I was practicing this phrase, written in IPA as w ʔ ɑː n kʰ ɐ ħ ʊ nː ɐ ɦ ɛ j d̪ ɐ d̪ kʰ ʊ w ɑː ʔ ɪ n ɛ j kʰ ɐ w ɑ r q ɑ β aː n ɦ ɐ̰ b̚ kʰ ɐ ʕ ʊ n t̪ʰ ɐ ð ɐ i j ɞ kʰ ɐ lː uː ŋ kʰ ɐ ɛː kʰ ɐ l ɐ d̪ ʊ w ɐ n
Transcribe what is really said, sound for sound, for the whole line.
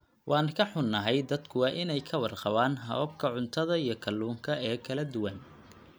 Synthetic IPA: w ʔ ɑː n kʰ ɐ ħ ʊ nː ɐ ɦ ɛ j d̪ ɐ d̪ kʰ ʊ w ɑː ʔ ɪ n ɛ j kʰ ɐ w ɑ r q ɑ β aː n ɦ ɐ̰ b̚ kʰ ɐ ʕ ʊ n t̪ʰ ɐ ð ɐ i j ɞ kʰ ɐ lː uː ŋ kʰ ɐ ɛː kʰ ɐ l ɐ d̪ ʊ w ɐ n